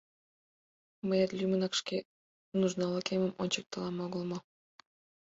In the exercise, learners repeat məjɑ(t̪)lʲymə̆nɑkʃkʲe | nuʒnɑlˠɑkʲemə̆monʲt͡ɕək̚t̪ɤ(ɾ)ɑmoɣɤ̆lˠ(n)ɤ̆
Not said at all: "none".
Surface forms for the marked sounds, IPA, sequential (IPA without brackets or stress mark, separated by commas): t̪, l, m